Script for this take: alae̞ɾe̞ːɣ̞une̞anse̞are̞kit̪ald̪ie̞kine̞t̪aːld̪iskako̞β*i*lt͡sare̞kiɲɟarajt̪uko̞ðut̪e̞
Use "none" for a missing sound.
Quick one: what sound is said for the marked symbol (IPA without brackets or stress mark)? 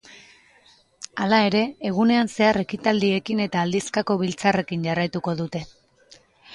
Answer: i